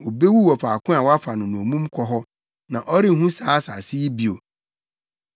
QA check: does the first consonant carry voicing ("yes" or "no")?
yes